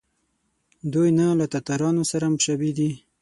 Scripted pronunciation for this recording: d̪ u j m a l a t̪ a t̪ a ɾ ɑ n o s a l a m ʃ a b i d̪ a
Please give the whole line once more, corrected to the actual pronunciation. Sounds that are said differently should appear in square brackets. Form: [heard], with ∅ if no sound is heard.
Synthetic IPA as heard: d̪ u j [n] a l a t̪ a t̪ a ɾ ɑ n o s a [ɾ] a m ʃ a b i d̪ [i]